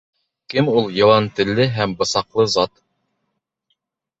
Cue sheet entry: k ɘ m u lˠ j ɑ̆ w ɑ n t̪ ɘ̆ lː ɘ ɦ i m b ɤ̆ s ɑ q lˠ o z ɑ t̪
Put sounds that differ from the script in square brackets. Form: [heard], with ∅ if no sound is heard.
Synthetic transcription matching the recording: k ɘ m u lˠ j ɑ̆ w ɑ n t̪ ɘ̆ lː ɘ ɦ [æ] m b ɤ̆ s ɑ q lˠ [ɤ] z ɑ t̪